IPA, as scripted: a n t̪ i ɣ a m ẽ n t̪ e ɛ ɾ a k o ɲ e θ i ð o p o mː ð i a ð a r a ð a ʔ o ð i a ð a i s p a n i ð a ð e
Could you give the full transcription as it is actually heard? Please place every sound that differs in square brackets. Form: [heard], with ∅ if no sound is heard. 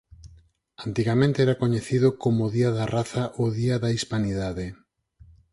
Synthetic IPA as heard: a n t̪ i ɣ a m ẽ n t̪ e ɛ ɾ a k o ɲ e θ i ð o [k] o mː ð i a ð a r a [θ] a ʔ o ð i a ð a i s p a n i ð a ð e